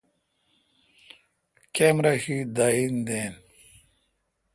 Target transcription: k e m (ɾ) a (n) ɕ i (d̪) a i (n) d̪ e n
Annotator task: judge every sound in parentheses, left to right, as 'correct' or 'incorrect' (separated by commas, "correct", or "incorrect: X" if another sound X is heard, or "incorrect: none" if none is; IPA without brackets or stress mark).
correct, incorrect: none, correct, correct